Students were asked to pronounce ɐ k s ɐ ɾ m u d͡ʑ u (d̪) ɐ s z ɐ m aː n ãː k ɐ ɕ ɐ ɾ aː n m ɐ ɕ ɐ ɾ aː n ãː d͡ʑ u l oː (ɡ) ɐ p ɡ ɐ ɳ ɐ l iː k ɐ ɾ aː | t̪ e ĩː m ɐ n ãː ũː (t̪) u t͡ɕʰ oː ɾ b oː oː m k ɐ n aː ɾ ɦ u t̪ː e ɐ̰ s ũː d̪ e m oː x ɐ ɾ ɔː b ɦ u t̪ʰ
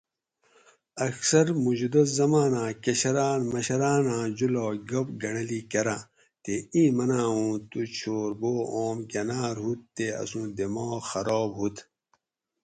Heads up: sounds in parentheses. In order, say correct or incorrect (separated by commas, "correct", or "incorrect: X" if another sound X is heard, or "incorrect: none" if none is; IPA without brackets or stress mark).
correct, correct, correct